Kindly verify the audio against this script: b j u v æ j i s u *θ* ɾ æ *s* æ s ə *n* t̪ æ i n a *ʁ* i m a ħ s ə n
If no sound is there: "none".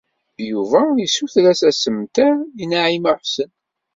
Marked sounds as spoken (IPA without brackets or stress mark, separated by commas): θ, s, m, ʕ